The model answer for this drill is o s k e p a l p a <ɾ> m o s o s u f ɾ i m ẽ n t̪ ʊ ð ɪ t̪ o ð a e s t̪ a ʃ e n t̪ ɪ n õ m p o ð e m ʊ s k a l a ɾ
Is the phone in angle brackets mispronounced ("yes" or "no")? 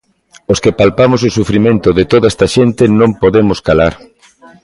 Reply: yes